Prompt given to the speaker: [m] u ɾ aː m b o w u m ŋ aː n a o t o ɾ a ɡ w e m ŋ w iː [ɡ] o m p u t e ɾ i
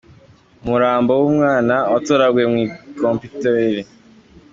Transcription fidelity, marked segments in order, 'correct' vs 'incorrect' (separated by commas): correct, incorrect